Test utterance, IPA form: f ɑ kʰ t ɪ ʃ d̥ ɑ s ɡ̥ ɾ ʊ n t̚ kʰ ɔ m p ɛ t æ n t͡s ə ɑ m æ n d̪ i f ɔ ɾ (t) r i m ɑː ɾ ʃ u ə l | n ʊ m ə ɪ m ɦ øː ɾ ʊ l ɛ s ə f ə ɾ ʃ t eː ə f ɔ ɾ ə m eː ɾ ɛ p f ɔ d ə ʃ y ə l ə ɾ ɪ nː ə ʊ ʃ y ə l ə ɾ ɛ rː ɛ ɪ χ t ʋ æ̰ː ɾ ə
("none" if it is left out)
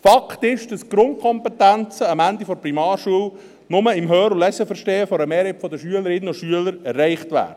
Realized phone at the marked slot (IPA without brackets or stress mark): p